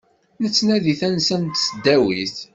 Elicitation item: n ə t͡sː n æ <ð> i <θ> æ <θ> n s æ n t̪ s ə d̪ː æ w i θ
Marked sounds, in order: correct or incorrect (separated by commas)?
correct, correct, incorrect